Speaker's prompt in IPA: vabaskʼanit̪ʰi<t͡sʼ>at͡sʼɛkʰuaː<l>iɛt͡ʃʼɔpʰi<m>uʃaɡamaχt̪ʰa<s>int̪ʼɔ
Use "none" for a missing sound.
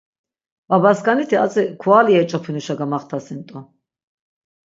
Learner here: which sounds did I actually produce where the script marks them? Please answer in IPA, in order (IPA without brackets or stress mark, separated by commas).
none, l, n, s